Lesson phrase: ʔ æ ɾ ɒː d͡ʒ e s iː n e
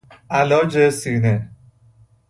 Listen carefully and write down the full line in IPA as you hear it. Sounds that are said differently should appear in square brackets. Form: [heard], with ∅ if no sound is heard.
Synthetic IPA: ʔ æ [l] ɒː d͡ʒ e s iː n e